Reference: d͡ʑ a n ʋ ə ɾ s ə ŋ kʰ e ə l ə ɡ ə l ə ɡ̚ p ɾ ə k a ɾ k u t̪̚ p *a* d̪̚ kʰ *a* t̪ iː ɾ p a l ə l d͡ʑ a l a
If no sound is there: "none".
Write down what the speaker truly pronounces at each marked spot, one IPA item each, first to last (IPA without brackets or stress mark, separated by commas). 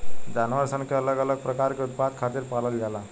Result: a, a